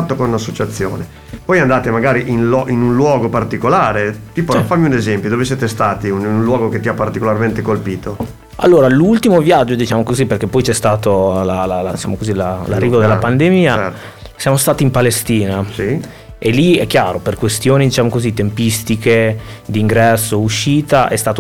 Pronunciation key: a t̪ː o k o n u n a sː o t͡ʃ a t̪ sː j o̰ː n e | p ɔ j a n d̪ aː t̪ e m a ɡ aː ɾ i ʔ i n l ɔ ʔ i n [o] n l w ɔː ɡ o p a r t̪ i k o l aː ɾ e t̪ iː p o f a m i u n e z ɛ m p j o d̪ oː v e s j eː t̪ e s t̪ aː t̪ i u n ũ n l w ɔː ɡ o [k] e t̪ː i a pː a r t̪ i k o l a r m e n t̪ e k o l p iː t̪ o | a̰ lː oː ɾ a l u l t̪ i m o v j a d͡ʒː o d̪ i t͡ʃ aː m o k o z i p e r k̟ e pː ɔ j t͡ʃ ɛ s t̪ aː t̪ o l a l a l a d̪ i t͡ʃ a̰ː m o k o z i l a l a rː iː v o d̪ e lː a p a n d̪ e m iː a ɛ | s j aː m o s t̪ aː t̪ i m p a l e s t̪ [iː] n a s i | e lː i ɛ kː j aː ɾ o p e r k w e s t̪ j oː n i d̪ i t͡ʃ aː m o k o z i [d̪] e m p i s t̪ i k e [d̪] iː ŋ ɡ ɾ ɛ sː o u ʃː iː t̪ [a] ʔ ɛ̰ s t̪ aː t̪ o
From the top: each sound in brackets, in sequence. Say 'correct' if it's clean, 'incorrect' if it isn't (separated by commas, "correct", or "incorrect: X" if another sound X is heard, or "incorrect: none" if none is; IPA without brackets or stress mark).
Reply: incorrect: u, correct, correct, incorrect: t̪, correct, correct